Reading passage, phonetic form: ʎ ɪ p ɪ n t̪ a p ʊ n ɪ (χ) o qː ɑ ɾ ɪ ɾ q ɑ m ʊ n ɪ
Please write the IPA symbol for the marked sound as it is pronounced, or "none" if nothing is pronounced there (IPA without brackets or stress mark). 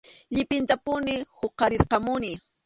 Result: h